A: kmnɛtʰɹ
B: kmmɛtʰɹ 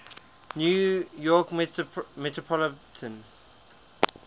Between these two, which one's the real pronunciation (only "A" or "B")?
B